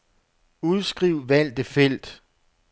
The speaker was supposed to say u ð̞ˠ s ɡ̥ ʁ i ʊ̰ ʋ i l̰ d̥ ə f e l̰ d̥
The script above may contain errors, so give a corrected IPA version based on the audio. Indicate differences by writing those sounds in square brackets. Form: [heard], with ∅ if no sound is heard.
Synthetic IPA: u ð̞ˠ s ɡ̥ ʁ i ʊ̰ ʋ [æ] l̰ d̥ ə f e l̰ d̥